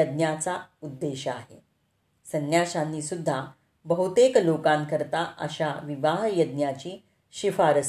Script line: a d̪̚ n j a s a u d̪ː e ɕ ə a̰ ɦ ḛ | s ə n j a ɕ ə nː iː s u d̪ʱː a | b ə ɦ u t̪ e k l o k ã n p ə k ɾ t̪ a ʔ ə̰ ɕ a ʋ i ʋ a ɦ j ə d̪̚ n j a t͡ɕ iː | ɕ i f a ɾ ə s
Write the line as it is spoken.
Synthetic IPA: ə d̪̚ n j a t͡s a u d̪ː e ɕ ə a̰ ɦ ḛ | s ə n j a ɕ a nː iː s u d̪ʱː a | b ə ɦ u t̪ e k l o k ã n k ə ɾ t̪ a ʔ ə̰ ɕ a ʋ i ʋ a ɦ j ə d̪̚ n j a t͡ɕ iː | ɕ i f a ɾ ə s